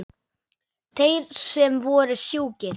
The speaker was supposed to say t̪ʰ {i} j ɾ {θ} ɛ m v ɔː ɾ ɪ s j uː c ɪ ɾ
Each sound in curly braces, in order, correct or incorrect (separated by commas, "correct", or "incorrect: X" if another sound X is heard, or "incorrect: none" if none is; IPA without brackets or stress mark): incorrect: e, incorrect: s